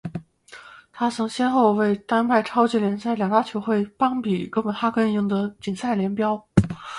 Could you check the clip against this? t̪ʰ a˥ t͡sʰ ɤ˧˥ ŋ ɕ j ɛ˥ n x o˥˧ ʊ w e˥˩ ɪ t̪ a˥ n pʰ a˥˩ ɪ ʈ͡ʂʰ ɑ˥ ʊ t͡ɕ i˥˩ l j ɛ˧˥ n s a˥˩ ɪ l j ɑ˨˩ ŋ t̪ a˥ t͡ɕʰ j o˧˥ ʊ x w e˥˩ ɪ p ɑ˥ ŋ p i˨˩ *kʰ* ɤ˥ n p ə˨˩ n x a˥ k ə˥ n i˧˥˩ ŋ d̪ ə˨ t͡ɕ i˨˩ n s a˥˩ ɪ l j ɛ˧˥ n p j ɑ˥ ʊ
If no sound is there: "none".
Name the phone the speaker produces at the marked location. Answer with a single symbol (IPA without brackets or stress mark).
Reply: k